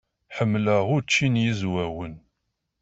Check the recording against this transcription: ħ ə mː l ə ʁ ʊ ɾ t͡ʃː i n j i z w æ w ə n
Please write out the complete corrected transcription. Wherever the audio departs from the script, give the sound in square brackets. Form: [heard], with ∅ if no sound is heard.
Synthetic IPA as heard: ħ ə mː l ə ʁ ʊ ɾ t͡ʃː i n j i z w æ w ə n